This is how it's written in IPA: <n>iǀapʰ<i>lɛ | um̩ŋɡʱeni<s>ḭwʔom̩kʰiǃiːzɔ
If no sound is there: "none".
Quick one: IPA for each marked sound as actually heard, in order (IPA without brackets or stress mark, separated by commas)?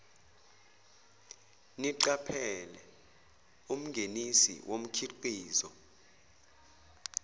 n, ɛ, s